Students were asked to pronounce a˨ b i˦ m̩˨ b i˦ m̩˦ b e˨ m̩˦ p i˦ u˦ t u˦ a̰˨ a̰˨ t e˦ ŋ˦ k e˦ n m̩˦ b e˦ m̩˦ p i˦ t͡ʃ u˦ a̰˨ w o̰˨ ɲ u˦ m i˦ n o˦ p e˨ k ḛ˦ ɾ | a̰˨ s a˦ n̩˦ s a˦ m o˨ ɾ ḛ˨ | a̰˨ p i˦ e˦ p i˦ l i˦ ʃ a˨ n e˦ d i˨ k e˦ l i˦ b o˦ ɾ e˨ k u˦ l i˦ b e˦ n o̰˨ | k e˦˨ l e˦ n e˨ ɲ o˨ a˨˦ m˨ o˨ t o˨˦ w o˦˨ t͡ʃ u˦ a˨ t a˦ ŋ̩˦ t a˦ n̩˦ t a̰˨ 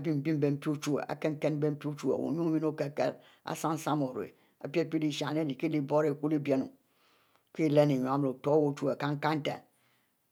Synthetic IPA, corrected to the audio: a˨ b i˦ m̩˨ b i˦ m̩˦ b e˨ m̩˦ p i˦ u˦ t͡ʃ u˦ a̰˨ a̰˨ k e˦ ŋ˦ k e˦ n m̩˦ b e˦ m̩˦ p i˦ t͡ʃ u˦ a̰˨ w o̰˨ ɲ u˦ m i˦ n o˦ k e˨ k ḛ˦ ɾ | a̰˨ s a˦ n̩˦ s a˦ m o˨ ɾ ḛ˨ | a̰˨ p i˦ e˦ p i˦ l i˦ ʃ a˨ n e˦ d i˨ k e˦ l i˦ b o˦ ɾ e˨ k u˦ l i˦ b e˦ n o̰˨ | k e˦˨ l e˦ n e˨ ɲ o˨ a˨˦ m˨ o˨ t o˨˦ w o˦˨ t͡ʃ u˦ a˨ k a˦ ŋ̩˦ k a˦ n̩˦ t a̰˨

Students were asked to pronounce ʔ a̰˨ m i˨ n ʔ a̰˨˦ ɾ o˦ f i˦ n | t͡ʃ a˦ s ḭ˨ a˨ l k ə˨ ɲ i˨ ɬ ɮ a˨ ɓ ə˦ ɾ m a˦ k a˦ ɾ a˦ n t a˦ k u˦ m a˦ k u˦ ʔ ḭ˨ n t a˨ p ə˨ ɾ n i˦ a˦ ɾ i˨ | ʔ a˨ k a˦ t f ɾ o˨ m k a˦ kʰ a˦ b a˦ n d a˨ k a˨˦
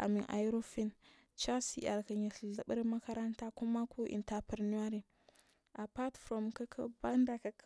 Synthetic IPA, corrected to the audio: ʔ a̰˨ m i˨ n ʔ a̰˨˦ ɾ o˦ f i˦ n | t͡ʃ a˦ s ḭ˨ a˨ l k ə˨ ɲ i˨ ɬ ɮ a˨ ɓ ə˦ ɾ m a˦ k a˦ ɾ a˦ n t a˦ k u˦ m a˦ k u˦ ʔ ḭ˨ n t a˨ p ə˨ ɾ n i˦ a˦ ɾ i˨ | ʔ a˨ p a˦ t f ɾ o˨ m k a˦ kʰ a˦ b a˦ n d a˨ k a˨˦

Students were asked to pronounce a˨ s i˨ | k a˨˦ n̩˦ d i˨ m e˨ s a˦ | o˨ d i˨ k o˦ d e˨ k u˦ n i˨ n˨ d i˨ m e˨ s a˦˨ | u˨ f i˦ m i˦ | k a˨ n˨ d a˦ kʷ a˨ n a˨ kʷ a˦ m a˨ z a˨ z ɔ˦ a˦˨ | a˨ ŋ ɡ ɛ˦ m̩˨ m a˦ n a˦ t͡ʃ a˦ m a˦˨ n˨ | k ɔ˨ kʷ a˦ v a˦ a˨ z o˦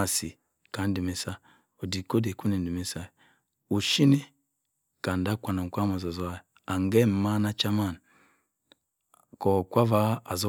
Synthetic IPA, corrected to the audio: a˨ s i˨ | k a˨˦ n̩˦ d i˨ m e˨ s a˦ | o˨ d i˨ k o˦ d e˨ k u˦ n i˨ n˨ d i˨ m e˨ s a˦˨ | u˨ ʃ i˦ n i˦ | k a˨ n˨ d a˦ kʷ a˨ n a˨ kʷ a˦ m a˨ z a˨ z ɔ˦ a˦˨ | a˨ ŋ ɡ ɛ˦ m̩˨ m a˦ n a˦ t͡ʃ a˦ m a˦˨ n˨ | k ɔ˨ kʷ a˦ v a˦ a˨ z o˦

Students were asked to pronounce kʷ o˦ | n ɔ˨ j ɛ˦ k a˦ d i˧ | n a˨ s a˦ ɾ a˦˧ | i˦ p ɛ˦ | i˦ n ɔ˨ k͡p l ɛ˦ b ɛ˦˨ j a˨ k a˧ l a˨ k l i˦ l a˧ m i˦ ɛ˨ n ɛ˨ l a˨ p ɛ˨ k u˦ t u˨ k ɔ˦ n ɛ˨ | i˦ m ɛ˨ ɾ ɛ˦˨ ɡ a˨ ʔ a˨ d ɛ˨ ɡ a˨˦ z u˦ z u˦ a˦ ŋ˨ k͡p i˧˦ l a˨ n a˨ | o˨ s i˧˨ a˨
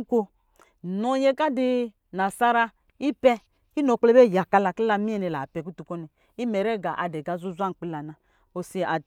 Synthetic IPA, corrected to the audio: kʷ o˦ | n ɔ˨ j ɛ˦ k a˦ d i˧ | n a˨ s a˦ ɾ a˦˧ | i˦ p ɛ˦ | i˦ n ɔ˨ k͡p l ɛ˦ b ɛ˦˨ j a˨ k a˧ l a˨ k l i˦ l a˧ m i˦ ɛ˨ n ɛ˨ l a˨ p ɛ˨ k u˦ t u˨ k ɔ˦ n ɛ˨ | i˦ m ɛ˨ ɾ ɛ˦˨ ɡ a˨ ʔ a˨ d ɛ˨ ɡ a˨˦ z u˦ z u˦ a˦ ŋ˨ k͡p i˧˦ l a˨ n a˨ | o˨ s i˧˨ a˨

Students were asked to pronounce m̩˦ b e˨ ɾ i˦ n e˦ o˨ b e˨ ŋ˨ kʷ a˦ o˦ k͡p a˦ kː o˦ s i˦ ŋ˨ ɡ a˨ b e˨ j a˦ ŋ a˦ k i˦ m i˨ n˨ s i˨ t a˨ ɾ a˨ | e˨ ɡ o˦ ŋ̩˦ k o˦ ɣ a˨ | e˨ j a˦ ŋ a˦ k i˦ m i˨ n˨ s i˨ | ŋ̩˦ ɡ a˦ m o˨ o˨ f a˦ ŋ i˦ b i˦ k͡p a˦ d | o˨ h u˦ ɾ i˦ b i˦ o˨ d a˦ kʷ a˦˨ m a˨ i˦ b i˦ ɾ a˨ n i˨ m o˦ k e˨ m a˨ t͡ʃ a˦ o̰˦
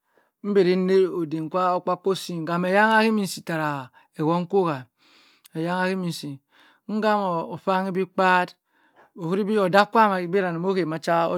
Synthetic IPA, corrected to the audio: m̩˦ b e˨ ɾ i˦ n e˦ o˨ d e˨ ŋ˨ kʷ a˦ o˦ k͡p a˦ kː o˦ s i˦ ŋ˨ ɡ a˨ m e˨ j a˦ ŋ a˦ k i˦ m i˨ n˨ s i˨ t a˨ ɾ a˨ | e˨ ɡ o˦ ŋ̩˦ k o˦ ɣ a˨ | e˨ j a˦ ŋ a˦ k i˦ m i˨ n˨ s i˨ | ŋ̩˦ ɡ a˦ m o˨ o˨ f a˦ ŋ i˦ b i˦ k͡p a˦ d | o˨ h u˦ ɾ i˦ b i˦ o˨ d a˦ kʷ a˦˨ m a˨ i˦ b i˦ ɾ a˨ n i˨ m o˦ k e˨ m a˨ t͡ʃ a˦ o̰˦

